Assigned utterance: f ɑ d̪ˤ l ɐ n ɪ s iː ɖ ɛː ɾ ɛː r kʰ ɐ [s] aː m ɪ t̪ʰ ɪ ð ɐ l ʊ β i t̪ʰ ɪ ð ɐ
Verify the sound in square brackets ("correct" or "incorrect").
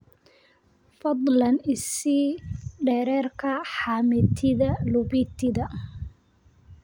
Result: incorrect